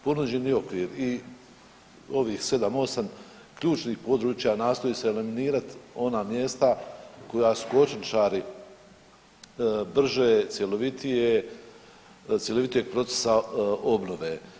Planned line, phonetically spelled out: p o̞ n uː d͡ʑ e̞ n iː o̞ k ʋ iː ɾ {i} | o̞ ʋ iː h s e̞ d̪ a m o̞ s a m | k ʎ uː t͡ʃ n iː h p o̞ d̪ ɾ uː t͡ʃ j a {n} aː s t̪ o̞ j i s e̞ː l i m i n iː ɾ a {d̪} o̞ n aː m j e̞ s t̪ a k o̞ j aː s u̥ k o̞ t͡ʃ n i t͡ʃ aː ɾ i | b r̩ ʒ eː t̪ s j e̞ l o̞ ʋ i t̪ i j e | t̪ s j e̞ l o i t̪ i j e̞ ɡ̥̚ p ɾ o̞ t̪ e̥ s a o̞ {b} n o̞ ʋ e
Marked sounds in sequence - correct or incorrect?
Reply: correct, correct, incorrect, correct

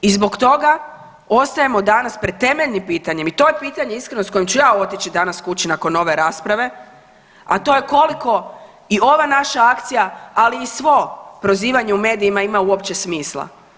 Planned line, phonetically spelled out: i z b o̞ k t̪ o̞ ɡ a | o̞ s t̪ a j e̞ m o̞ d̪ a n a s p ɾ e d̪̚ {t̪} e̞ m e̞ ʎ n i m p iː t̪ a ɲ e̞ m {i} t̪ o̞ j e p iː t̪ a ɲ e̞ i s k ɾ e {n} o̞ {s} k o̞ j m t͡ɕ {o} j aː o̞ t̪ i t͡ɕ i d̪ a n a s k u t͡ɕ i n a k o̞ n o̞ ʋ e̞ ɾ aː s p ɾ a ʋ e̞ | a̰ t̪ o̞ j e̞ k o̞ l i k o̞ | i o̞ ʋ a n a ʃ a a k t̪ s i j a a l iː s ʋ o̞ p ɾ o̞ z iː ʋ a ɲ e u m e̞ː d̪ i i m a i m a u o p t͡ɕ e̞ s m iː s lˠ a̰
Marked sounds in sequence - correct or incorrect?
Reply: correct, correct, correct, correct, incorrect

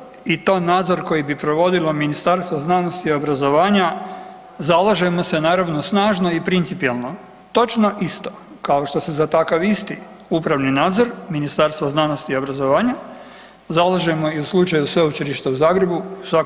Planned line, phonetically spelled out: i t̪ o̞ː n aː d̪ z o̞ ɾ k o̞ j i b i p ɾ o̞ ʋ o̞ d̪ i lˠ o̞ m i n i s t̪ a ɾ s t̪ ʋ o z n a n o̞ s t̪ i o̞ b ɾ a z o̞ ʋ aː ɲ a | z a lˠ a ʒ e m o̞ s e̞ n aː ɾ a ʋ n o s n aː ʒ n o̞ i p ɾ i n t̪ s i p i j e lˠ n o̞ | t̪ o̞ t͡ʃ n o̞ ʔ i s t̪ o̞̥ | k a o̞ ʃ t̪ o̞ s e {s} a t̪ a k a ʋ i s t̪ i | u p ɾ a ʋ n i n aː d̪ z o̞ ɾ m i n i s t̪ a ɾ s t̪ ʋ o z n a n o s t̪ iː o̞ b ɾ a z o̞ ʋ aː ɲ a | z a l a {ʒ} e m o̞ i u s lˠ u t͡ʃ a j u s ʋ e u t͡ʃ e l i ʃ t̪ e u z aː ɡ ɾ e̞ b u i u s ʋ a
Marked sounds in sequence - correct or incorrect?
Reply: incorrect, correct

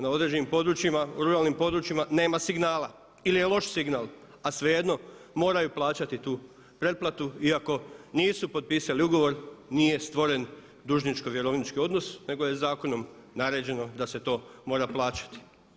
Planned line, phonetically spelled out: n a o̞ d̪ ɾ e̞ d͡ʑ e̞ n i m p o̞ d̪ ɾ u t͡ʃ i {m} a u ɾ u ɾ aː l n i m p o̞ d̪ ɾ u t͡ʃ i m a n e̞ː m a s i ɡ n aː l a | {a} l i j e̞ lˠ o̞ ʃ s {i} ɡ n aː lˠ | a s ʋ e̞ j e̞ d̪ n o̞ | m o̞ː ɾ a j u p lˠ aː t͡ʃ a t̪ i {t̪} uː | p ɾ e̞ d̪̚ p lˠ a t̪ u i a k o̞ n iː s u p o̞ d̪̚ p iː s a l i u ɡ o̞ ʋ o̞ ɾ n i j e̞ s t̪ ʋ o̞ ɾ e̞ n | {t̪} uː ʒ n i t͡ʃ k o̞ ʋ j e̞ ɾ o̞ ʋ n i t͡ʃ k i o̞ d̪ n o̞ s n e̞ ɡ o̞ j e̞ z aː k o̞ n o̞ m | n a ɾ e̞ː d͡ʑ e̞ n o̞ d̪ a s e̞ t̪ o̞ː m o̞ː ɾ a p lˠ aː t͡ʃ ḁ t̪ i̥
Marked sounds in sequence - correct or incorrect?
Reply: correct, incorrect, correct, correct, incorrect

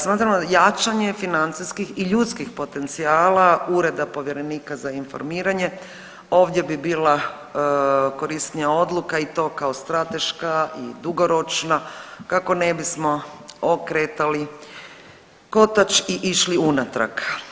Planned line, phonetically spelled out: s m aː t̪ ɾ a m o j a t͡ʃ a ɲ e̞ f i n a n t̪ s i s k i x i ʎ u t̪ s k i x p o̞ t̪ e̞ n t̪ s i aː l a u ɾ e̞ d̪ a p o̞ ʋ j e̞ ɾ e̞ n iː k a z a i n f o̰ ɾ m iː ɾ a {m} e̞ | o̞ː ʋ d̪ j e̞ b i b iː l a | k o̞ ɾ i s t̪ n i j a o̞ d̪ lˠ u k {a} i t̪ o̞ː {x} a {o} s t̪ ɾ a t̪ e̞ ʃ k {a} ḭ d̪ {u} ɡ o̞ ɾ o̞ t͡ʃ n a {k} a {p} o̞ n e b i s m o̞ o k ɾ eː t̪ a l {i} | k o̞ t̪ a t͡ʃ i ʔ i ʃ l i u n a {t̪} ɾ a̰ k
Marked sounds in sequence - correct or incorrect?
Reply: incorrect, correct, incorrect, correct, correct, correct, correct, incorrect, correct, correct

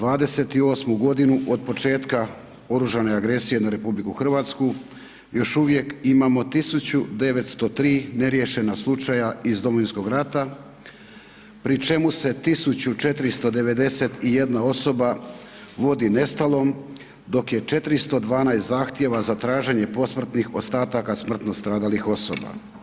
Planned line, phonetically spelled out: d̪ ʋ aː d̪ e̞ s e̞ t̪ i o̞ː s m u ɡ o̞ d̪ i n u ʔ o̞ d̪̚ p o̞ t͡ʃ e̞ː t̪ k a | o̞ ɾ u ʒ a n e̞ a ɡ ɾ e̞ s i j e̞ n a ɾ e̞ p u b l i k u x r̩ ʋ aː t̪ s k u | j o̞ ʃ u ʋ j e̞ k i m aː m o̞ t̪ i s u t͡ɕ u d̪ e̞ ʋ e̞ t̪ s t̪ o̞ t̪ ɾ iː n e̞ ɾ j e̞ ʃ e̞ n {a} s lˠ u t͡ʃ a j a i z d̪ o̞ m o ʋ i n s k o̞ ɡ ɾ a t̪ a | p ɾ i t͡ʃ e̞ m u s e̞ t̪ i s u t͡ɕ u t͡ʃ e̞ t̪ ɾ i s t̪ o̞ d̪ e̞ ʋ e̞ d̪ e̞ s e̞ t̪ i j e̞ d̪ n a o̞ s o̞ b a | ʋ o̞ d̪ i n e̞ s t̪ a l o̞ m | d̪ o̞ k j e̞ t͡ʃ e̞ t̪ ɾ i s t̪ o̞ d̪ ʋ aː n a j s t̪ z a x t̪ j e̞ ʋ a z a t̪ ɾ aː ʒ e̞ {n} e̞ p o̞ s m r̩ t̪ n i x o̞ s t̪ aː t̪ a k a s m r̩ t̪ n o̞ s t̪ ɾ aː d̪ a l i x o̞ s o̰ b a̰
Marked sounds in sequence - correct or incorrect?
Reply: correct, incorrect

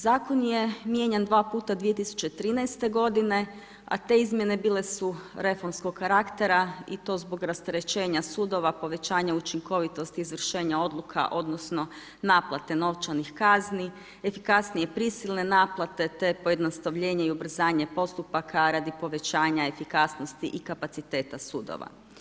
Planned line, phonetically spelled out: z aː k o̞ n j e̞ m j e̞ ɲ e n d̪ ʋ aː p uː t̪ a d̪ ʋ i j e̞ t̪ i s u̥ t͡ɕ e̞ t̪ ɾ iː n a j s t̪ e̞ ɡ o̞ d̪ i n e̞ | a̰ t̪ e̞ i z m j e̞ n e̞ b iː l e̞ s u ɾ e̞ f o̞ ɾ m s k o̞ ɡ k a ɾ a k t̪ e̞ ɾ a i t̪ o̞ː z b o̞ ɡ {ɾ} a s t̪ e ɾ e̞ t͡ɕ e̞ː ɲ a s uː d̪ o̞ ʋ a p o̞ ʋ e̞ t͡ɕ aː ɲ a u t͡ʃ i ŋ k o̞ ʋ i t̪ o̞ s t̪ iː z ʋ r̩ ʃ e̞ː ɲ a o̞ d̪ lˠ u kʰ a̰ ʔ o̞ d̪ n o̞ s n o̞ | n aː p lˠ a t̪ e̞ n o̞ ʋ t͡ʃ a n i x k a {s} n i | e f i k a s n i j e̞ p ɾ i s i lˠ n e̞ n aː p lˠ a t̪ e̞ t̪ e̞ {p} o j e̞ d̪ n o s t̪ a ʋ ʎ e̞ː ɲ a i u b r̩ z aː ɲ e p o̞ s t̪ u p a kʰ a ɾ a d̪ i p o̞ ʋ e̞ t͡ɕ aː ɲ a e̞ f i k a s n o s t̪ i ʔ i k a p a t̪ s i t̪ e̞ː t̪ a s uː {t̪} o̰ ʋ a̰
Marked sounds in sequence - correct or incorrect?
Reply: correct, incorrect, correct, incorrect

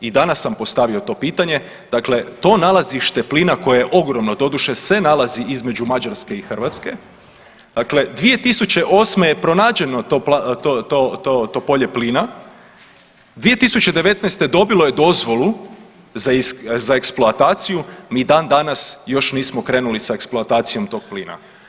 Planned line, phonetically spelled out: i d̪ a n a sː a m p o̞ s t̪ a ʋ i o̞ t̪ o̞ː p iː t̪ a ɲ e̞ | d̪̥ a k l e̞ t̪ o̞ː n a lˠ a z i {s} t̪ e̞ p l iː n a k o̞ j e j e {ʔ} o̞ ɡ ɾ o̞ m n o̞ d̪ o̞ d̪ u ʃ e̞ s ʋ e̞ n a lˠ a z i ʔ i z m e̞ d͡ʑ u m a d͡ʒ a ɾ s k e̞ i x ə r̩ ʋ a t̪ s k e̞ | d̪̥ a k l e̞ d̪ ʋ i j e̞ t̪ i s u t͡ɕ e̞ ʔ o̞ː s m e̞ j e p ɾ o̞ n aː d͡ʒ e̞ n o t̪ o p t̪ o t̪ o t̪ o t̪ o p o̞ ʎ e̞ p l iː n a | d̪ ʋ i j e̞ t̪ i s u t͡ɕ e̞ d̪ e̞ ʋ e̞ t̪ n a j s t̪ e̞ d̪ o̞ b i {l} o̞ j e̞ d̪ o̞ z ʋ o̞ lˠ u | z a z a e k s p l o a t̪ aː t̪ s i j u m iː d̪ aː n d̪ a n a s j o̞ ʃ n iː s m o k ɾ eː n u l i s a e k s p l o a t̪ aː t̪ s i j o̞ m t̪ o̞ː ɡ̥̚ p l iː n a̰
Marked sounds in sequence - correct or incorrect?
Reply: incorrect, correct, correct

